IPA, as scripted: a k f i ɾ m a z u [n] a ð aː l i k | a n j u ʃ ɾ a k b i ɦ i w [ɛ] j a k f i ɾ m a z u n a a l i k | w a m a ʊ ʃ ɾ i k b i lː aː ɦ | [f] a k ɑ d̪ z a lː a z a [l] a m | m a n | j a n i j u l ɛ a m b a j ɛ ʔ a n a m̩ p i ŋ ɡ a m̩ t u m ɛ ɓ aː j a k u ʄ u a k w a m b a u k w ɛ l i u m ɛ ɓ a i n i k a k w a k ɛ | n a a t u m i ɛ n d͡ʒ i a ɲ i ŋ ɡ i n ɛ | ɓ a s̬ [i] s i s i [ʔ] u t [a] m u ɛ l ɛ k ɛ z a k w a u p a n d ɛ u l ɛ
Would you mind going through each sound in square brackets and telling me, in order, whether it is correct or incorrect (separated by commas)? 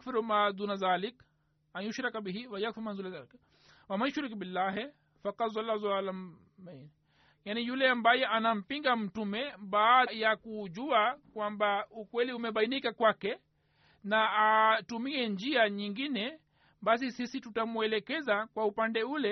correct, incorrect, correct, correct, correct, incorrect, correct